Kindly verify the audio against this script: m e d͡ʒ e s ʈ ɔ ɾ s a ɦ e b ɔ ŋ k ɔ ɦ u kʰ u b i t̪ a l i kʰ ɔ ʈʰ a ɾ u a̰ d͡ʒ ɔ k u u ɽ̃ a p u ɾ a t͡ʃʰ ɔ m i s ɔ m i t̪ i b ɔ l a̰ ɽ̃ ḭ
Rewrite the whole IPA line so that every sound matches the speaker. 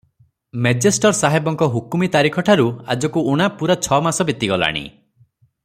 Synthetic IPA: m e d͡ʒ e s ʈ ɔ ɾ s a ɦ e b ɔ ŋ k ɔ ɦ u k u m i t̪ a ɾ i kʰ ɔ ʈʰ a ɾ u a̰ d͡ʒ ɔ k u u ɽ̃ a p u ɾ a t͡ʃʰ ɔ m a s ɔ b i t̪ i ɡ ɔ l a̰ ɽ̃ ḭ